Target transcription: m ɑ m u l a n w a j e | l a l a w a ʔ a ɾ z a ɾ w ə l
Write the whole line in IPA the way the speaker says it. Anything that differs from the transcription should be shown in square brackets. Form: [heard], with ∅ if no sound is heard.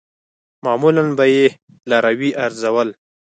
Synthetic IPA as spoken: m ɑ m u l a n [b] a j e | l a [ɾ] a w [i] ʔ a ɾ z a [∅] w ə l